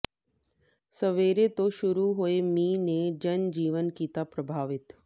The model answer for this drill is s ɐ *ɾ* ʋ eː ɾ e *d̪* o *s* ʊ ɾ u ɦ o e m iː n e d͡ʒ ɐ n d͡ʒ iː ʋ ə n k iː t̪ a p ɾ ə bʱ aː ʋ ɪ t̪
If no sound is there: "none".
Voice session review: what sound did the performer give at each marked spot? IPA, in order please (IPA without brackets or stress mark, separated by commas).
none, t̪, ʃ